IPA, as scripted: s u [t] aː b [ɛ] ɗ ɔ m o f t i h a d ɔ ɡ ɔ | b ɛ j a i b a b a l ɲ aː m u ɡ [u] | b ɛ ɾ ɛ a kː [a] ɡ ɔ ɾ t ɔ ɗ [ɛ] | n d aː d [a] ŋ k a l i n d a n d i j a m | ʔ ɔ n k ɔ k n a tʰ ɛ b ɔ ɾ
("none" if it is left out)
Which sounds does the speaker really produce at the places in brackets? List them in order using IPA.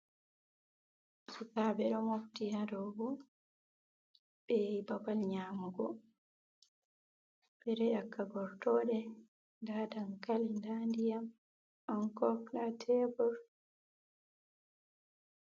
k, ɛ, ɔ, a, ɛ, a

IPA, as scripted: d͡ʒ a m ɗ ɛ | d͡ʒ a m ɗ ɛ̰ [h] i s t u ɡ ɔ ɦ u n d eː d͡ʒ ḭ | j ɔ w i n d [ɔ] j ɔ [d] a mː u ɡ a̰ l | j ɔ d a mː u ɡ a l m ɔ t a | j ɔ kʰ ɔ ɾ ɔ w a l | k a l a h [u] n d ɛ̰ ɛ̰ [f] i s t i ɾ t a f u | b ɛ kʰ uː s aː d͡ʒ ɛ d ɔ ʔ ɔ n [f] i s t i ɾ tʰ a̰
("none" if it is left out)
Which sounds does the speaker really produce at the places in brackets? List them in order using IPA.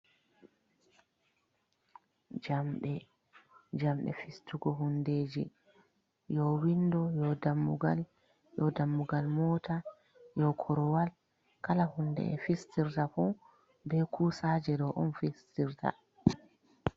f, ɔ, d, u, f, f

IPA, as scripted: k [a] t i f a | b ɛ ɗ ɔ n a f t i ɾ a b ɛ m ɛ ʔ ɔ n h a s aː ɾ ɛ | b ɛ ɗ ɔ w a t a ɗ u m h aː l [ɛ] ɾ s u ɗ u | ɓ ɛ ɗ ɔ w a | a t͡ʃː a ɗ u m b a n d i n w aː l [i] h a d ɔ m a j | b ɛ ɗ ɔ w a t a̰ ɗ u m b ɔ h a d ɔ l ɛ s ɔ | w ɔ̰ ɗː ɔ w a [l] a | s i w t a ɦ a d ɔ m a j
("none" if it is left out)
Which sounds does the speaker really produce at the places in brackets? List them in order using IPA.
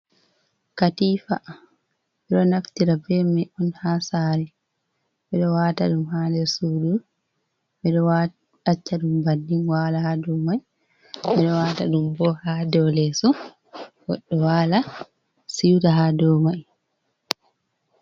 a, ɛ, a, l

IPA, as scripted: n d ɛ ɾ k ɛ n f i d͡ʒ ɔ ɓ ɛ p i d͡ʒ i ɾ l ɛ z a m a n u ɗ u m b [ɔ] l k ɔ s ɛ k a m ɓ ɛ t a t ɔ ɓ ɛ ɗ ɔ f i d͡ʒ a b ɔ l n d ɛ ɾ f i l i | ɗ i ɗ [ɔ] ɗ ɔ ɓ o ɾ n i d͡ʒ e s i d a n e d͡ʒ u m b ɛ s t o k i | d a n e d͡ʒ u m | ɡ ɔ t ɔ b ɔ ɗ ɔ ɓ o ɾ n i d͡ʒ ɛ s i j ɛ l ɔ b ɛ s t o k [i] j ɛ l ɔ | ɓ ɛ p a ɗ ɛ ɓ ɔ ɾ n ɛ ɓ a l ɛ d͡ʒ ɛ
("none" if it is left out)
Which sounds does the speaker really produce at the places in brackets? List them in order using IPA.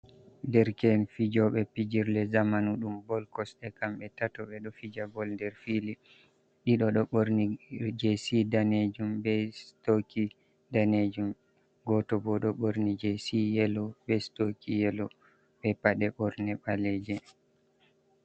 ɔ, ɔ, i

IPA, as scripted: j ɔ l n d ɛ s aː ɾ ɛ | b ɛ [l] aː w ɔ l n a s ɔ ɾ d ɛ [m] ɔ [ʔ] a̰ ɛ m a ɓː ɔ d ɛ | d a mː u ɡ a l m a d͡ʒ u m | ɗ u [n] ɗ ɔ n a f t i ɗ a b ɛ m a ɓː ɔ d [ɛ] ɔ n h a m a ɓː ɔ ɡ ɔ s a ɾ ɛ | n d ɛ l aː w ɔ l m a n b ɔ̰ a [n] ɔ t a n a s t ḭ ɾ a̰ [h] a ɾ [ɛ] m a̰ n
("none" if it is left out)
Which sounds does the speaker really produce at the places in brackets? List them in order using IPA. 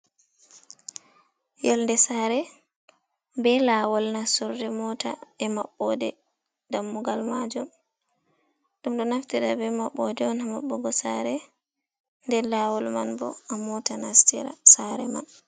l, m, t, m, ɛ, m, s, ɛ

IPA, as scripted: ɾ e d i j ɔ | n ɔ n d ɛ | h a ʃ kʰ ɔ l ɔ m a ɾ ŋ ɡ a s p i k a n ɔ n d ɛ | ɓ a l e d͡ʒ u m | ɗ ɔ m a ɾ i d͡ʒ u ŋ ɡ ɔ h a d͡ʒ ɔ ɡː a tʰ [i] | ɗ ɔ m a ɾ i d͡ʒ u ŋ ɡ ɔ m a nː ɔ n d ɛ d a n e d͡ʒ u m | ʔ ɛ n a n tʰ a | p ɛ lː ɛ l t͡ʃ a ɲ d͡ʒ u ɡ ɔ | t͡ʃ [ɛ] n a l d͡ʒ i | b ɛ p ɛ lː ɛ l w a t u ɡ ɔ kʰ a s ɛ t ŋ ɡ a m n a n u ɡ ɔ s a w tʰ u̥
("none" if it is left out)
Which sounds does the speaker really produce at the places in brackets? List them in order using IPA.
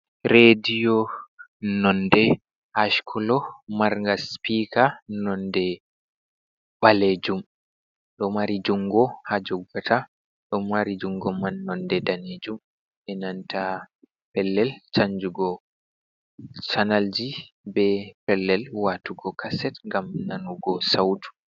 a, a

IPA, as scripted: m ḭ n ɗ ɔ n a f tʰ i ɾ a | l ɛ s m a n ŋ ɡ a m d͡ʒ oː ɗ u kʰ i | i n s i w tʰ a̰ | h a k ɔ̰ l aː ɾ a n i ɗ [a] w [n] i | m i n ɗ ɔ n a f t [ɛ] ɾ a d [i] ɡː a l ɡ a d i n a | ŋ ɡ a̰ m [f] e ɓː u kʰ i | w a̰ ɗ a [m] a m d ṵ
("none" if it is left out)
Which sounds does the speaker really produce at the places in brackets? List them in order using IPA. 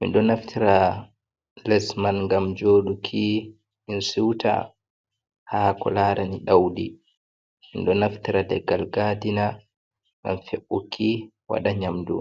a, d, i, ɛ, f, ɲ

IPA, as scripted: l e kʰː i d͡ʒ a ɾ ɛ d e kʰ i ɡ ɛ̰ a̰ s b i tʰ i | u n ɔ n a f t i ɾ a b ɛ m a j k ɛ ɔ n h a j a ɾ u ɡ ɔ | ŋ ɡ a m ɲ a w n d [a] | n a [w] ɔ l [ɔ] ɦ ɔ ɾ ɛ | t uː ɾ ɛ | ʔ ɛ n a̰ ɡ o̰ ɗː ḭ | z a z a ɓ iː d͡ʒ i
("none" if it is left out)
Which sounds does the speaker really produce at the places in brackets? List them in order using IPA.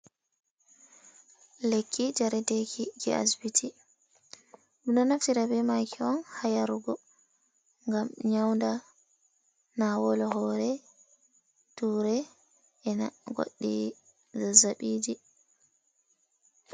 a, w, ɔ

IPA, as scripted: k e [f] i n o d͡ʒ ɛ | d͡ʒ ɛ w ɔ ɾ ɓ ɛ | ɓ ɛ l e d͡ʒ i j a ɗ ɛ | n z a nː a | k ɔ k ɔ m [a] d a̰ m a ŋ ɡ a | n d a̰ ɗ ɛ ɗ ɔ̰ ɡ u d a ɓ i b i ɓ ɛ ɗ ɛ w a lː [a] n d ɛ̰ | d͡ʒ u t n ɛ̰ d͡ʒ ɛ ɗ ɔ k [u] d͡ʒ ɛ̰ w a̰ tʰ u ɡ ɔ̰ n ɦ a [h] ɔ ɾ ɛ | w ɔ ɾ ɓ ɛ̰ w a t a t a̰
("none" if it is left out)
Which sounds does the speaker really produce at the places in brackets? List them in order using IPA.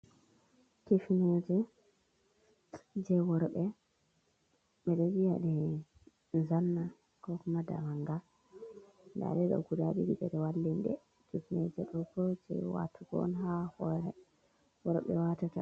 f, a, i, ɔ, h

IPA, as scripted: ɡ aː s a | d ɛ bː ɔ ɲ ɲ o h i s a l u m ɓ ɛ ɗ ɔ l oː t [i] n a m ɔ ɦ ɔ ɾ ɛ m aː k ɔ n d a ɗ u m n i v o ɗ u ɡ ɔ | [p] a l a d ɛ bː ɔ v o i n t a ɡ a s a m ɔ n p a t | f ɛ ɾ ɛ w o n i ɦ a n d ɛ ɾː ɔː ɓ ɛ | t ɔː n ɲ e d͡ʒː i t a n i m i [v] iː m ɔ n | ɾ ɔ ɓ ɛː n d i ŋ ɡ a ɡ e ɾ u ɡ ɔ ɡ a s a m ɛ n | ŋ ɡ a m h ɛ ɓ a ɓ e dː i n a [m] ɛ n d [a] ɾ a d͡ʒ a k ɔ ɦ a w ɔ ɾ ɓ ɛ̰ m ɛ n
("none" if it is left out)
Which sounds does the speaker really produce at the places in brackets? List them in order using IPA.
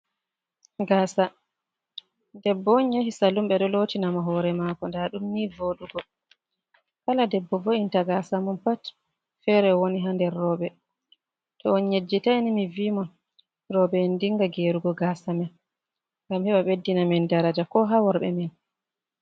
i, k, v, m, a

